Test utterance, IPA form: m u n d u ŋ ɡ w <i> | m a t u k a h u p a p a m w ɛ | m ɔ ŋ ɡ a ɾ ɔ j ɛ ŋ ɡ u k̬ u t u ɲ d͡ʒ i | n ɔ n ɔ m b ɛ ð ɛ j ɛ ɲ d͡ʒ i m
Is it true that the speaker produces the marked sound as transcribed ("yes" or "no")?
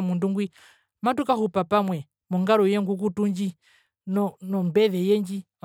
yes